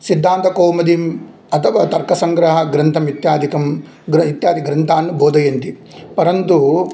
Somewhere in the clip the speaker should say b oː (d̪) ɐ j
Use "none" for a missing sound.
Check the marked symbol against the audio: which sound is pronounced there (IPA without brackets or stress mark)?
d̪